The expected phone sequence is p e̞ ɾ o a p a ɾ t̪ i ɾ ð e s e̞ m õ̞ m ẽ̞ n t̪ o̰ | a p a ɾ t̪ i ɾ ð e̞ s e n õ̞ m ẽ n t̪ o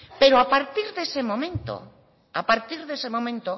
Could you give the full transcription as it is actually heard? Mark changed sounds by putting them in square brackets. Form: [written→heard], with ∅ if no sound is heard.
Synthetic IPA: p e̞ ɾ o a p a ɾ t̪ i ɾ ð e s e̞ m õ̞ m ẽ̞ n t̪ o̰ | a p a ɾ t̪ i ɾ ð e̞ s e [n→m] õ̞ m ẽ n t̪ o